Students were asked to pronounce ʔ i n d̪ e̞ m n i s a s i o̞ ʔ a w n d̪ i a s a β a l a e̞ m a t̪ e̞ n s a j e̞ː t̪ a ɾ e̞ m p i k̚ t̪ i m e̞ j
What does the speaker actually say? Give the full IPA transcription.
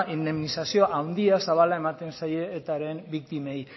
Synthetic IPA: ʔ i n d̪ e̞ m n i s a s i o̞ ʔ a w n d̪ i a s a β a l a e̞ m a t̪ e̞ n s a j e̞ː t̪ a ɾ e̞ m b i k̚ t̪ i m e̞ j